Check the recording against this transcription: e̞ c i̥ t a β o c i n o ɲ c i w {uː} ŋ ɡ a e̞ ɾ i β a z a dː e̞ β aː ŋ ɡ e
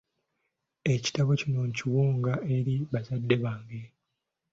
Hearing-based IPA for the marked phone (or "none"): uː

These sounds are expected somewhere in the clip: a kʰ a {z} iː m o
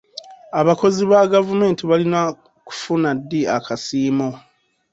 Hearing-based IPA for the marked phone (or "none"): s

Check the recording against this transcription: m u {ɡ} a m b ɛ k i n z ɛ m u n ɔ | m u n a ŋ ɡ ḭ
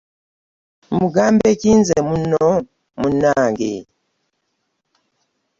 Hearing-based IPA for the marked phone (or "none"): ɡ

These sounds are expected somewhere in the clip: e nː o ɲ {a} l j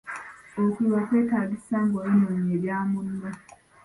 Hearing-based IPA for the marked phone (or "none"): e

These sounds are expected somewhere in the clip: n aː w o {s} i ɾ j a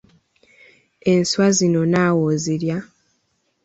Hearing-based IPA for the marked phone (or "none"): z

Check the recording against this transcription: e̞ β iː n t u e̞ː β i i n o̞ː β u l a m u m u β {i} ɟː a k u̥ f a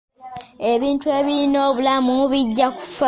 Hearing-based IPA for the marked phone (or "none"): i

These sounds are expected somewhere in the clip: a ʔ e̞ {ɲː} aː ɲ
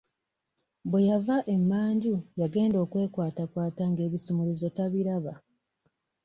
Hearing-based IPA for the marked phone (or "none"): mː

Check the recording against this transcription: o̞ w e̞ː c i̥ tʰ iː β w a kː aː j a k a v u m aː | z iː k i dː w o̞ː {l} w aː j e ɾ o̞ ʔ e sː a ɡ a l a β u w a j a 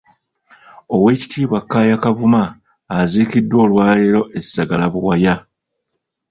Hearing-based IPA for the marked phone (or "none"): l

